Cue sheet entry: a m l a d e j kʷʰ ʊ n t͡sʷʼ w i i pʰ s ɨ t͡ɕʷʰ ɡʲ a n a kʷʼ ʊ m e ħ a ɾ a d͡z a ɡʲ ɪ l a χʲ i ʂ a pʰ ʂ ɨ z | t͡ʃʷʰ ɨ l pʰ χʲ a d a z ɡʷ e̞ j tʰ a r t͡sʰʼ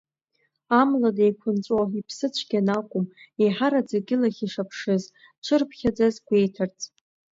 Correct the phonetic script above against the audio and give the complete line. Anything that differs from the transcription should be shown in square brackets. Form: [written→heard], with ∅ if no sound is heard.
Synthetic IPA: a m l a d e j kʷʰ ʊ n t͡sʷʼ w [i→a] i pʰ s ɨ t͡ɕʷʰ ɡʲ a n a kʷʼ ʊ m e ħ a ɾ a d͡z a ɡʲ ɪ l a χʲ i ʂ a pʰ ʂ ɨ z | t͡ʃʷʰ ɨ [l→r] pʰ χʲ a [d→d͡z] a z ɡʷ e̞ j tʰ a r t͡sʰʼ